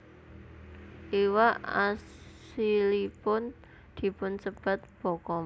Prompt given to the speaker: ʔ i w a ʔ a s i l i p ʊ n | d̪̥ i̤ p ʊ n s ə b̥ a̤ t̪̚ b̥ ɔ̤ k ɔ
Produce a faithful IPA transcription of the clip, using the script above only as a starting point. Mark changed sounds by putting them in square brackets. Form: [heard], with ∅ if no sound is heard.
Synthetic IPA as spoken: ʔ i w a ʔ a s i l i p ʊ n | d̪̥ i̤ p ʊ n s ə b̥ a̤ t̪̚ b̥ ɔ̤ k ɔ